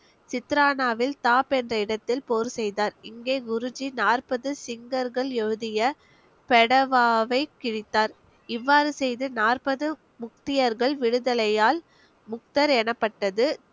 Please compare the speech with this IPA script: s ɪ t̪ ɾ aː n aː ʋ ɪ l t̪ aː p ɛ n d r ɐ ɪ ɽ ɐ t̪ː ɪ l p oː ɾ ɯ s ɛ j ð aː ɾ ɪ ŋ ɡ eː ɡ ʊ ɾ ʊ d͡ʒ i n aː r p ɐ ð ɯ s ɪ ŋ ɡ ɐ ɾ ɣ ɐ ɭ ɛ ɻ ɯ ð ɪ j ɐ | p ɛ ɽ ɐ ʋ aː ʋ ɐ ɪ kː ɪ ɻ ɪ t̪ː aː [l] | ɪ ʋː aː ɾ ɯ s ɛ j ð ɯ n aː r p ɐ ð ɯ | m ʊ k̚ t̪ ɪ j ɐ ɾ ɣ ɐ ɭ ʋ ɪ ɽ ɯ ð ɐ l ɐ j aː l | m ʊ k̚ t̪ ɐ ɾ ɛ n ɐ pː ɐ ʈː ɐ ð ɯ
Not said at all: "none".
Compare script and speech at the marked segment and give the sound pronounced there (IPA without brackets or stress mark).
ɾ